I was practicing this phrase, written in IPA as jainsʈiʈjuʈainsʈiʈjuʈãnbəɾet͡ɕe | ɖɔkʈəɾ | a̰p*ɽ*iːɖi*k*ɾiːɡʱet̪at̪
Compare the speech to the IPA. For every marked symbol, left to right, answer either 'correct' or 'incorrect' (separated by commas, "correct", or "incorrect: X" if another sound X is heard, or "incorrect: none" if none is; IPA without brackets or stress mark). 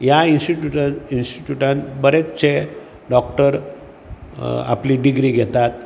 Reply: incorrect: l, incorrect: ɡ